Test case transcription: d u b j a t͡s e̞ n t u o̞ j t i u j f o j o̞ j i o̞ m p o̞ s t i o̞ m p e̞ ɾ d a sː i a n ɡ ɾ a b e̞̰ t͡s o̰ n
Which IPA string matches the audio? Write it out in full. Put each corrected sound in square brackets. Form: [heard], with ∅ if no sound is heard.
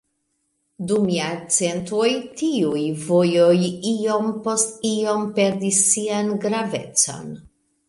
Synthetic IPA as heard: d u [m] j a t͡s e̞ n t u o̞ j t i u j [v] o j o̞ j i o̞ m p o̞ s t i o̞ m p e̞ ɾ d [i] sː i a n ɡ ɾ a [v] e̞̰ t͡s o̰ n